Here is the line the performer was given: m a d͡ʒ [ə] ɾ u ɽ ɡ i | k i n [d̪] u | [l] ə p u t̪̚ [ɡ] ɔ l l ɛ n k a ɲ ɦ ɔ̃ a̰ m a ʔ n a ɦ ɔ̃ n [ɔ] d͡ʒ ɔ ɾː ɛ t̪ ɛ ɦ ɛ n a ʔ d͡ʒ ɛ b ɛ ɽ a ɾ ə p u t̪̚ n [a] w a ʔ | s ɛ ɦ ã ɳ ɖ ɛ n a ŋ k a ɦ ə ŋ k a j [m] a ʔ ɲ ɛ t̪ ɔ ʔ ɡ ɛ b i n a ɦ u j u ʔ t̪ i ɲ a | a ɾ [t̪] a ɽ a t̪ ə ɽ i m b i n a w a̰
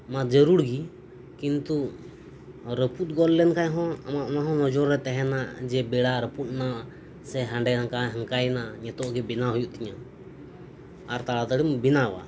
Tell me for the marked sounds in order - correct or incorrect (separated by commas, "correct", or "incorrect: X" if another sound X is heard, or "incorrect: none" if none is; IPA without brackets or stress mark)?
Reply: correct, incorrect: t̪, incorrect: ɾ, correct, correct, correct, incorrect: n, correct